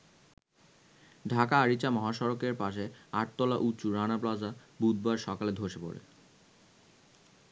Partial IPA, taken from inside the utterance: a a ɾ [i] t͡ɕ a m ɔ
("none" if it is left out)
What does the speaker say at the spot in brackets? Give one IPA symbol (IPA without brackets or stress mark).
i